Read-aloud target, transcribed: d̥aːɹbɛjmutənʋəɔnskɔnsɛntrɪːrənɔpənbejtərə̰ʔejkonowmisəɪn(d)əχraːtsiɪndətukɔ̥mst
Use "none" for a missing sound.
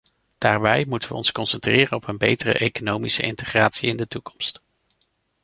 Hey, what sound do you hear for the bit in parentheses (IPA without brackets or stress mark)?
t